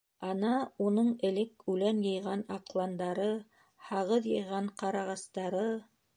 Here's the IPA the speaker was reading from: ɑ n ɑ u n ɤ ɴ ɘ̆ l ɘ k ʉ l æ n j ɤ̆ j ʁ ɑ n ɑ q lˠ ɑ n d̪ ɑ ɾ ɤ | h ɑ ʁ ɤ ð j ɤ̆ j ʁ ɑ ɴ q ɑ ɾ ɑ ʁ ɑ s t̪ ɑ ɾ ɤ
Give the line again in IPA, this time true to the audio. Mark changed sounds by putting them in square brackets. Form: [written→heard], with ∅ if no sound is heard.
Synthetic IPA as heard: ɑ n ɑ u n ɤ ɴ ɘ̆ l ɘ k ʉ l æ n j ɤ̆ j ʁ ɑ n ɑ q lˠ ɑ n d̪ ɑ ɾ ɤ | h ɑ ʁ ɤ ð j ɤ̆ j ʁ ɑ ɴ q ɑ ɾ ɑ ʁ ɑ s t̪ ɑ ɾ ɤ